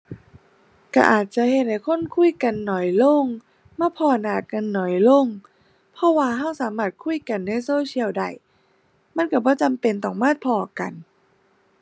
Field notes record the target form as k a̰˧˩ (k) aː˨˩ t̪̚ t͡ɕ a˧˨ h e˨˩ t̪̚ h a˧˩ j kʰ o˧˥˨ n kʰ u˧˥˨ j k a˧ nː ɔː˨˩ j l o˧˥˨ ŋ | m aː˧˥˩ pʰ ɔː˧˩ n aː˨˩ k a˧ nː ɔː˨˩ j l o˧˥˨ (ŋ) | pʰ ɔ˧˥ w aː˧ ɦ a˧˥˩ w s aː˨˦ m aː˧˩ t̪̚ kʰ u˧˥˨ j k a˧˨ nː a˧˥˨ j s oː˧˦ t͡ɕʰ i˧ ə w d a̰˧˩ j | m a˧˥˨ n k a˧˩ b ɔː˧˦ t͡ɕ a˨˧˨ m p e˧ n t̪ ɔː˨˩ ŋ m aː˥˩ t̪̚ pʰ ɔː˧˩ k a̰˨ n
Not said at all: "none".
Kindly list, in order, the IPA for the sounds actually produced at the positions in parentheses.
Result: ʔ, ŋ

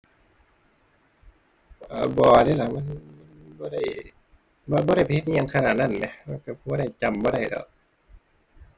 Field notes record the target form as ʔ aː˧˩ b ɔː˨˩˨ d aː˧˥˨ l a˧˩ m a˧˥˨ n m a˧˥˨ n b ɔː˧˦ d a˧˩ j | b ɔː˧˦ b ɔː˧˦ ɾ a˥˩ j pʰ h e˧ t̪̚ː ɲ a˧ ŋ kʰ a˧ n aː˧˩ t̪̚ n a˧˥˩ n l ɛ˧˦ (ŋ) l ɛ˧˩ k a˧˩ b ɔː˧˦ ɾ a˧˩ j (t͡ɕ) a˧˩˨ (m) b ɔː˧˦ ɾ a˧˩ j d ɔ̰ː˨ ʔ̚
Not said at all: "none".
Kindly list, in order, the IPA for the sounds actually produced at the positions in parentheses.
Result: none, t͡ɕ, m

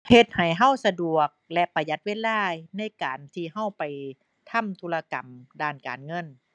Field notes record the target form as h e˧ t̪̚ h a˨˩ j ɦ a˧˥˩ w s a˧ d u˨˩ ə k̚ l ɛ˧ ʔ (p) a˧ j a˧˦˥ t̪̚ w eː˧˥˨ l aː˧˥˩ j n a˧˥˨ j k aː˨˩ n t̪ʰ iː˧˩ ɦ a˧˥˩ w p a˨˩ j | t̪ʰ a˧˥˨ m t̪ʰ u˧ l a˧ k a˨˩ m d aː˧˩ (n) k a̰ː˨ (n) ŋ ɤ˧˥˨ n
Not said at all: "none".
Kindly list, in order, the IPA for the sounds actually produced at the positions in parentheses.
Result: p, n, n

